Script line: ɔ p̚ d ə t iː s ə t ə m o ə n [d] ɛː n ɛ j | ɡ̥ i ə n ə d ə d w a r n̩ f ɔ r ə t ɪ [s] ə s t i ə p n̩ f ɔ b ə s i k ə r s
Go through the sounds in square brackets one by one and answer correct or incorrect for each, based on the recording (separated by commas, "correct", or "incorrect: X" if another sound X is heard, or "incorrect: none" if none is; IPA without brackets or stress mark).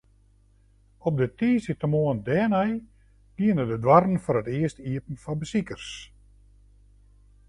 correct, incorrect: none